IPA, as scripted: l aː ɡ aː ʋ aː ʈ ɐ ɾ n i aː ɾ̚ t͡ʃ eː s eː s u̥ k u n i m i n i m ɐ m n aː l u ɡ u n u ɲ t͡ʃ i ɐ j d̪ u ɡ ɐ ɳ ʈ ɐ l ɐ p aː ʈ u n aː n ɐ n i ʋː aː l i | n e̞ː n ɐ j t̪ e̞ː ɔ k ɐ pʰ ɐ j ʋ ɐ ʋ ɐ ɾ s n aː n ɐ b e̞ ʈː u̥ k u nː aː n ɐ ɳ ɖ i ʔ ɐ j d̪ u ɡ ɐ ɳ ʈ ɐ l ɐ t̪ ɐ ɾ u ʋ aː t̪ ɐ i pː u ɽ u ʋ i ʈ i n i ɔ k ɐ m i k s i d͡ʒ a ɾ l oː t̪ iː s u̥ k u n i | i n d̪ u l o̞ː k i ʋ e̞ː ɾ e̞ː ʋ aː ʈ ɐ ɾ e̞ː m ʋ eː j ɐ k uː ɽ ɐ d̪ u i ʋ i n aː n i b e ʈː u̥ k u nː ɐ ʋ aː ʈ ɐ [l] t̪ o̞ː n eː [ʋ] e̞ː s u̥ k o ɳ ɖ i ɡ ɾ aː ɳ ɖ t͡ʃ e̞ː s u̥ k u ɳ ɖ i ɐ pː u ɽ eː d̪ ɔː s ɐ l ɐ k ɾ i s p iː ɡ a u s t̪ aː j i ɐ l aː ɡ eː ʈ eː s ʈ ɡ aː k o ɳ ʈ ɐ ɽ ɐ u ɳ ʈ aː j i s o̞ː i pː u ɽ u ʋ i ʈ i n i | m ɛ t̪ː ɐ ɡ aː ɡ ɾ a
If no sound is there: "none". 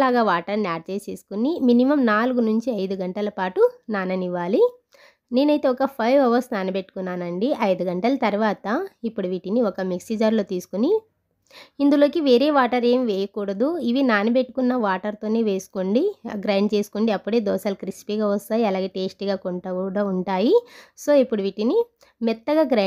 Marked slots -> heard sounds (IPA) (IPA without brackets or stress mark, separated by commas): ɾ, ʋ